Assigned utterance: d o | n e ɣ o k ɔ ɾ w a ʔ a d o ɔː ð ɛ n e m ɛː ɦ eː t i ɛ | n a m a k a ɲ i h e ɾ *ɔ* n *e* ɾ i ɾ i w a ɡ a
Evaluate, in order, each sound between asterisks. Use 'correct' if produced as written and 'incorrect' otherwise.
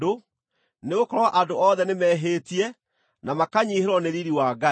correct, correct

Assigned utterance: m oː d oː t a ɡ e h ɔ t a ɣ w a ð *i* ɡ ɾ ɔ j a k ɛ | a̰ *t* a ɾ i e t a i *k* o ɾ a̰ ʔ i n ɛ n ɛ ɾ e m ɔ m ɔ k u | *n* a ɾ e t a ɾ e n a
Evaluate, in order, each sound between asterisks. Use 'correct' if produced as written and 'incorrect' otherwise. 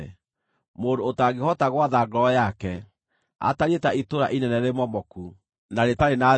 incorrect: a, correct, incorrect: t, correct

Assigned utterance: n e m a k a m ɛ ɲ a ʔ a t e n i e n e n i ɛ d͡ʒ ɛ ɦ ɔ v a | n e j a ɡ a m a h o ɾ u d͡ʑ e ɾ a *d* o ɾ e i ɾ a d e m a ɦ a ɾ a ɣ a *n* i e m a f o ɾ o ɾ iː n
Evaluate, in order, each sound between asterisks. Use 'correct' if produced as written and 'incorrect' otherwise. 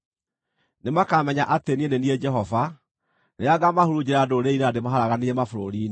correct, correct

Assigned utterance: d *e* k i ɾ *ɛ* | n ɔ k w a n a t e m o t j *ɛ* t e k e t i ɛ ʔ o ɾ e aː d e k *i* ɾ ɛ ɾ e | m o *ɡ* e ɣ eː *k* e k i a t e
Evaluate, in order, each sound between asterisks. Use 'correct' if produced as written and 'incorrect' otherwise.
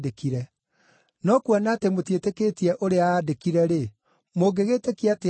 correct, correct, incorrect: e, correct, correct, incorrect: t

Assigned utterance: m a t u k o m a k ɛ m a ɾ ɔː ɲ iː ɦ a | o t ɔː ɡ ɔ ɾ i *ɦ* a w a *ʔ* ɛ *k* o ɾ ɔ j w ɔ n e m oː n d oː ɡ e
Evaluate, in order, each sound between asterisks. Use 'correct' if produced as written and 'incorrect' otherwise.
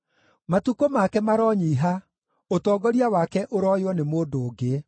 incorrect: none, incorrect: k, incorrect: ʔ

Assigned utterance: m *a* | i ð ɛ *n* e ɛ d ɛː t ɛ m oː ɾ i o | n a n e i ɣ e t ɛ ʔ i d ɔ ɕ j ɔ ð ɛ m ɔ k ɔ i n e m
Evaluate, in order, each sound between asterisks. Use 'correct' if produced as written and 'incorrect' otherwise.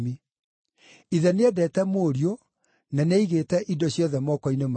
incorrect: i, correct

